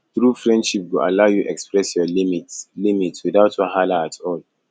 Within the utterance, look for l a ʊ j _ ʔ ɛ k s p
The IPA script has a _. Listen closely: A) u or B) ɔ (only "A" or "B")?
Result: A